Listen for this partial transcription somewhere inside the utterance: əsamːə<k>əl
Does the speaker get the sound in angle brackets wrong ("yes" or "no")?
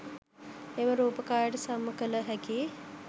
no